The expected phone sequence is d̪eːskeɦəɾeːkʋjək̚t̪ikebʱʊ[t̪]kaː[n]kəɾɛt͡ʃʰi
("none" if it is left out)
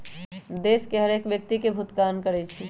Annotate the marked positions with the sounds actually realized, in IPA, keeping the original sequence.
t̪, n

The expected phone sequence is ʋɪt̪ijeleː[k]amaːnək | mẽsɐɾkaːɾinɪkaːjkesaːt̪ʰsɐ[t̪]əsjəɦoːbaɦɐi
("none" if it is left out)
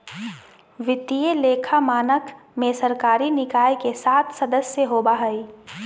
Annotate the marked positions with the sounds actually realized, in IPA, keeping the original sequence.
kʰ, d̪

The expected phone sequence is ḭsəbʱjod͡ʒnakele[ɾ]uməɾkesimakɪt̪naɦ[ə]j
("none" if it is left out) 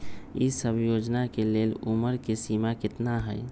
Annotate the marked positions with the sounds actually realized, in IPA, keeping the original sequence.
l, ə

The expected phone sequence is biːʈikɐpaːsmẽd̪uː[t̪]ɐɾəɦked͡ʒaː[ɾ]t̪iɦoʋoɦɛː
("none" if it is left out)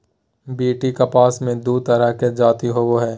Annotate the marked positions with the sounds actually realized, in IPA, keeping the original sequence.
t̪, none

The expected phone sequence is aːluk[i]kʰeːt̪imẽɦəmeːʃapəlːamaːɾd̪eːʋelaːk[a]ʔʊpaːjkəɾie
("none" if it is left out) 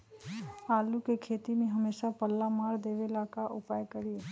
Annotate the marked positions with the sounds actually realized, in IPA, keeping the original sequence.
e, a

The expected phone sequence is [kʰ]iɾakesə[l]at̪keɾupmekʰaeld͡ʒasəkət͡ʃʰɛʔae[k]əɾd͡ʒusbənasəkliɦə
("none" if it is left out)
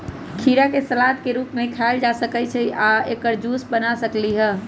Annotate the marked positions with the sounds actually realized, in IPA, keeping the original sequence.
kʰ, l, k

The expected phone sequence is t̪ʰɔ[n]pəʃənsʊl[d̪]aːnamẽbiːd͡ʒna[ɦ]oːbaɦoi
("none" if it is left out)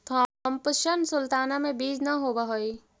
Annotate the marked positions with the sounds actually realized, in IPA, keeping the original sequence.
m, t̪, ɦ

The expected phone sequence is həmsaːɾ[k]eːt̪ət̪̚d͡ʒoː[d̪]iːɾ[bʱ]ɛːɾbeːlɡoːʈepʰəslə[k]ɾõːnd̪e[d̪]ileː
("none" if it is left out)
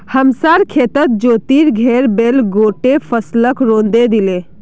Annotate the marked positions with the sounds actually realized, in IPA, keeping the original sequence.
kʰ, t̪, ɡʱ, k, d̪

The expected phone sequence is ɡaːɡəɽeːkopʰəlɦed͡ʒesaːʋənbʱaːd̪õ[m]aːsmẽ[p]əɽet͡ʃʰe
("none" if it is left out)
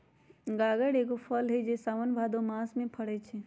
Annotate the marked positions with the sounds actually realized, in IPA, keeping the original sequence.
m, pʰ

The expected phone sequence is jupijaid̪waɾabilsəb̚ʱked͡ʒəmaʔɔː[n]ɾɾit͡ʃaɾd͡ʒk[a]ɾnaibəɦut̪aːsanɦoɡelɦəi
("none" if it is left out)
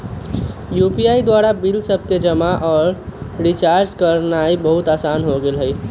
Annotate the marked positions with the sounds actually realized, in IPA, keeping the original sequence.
none, ə

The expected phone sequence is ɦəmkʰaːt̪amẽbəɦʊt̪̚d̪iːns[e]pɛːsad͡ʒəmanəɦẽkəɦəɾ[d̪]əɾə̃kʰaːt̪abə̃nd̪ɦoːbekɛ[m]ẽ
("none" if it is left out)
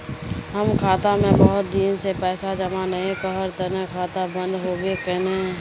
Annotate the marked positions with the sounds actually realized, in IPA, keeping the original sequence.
e, t̪, n

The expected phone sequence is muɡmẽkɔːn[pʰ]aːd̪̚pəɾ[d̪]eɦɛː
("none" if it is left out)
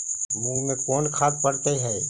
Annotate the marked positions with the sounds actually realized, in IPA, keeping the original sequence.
kʰ, t̪

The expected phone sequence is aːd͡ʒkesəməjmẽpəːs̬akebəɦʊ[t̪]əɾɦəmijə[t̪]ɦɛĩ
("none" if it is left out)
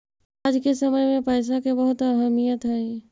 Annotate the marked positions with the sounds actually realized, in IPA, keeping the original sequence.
t̪, t̪

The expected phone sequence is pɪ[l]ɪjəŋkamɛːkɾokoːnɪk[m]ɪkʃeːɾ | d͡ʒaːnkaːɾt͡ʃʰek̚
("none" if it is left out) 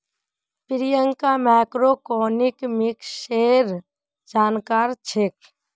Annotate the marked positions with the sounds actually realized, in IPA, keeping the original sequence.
ɾ, m

